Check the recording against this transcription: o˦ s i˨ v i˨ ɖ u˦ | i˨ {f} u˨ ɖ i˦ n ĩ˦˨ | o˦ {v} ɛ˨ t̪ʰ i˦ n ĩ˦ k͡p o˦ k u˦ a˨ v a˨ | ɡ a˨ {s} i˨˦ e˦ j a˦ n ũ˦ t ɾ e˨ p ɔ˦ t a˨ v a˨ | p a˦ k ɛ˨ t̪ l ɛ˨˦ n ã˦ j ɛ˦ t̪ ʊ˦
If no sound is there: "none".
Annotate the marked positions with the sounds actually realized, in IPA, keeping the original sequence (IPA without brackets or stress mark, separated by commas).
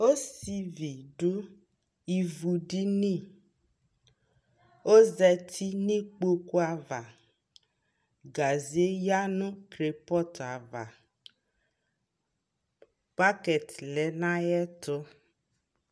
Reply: v, z, z